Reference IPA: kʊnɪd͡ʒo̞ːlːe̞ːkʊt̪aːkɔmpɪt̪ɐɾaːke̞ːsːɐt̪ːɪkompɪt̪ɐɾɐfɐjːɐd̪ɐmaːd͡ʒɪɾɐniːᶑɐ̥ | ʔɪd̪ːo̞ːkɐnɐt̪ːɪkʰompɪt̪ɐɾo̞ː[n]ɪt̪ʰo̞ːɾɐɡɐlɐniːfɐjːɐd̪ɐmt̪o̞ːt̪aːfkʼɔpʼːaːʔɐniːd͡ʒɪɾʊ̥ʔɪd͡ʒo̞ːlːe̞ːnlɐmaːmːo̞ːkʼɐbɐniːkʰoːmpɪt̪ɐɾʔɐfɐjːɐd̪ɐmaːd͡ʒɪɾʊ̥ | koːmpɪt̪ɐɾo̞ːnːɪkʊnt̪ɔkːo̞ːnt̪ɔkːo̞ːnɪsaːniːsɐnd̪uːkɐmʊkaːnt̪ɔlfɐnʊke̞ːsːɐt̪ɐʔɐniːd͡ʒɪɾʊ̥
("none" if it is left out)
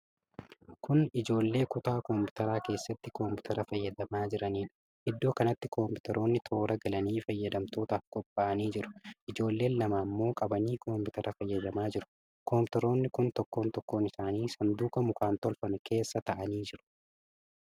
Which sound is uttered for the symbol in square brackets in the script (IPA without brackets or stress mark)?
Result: nː